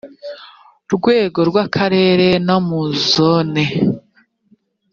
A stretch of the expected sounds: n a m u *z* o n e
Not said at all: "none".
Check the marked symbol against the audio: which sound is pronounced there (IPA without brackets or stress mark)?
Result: z